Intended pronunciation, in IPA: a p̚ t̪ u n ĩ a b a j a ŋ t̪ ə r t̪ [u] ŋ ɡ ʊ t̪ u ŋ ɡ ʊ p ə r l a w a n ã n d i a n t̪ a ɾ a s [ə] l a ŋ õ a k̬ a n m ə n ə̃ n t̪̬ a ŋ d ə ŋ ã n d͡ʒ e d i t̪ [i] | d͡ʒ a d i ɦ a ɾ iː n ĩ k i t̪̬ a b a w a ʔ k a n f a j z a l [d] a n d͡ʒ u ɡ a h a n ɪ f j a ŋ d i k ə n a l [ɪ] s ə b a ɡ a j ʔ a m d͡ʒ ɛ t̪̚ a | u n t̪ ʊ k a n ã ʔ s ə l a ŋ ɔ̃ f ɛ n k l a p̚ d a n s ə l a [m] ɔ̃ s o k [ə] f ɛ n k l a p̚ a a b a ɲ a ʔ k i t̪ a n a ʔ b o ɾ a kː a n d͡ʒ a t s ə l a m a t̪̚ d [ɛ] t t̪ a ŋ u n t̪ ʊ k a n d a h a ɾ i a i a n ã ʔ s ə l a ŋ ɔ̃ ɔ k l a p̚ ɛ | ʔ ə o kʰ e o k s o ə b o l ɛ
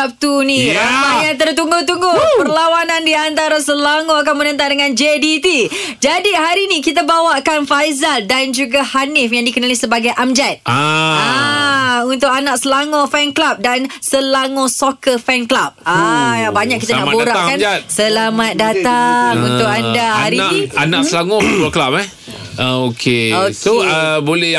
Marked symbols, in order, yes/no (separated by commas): yes, yes, yes, yes, no, no, yes, no